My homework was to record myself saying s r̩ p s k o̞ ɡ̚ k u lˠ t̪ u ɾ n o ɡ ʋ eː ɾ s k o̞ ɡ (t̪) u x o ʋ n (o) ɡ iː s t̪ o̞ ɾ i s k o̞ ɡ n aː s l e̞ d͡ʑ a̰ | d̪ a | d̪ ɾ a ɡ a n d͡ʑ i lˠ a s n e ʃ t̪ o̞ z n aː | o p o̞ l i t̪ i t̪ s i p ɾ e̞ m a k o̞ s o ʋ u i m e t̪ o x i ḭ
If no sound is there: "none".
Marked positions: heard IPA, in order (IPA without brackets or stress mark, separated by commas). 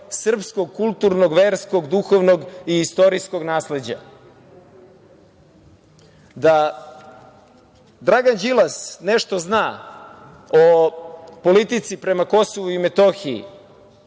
d̪, o